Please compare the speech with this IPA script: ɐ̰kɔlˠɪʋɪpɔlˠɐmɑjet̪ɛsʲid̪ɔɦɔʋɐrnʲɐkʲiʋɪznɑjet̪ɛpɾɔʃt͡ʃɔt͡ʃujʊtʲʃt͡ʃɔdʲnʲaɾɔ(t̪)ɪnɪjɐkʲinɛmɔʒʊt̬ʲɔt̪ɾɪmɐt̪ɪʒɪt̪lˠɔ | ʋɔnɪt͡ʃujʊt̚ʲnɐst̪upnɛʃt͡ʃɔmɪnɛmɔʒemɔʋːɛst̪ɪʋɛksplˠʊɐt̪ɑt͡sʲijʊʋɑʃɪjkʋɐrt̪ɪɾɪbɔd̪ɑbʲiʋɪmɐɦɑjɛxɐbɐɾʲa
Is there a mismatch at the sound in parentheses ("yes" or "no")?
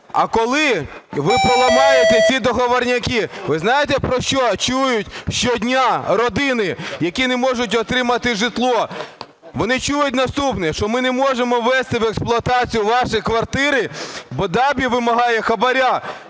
yes